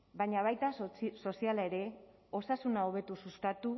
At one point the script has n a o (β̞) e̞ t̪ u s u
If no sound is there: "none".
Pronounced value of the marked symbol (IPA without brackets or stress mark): β̞